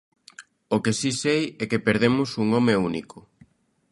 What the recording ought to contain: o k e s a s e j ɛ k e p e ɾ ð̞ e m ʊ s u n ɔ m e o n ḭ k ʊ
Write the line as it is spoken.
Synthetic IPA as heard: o k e s i s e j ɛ k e p e ɾ ð̞ e m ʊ s u ŋ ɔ m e u n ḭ k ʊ